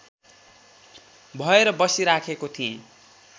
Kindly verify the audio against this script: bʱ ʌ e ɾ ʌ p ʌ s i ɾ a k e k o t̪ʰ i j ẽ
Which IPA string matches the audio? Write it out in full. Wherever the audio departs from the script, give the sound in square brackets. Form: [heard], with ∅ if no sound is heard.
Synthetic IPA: bʱ ʌ e ɾ ʌ [b] ʌ s i ɾ a [kʰ] e k o t̪ʰ i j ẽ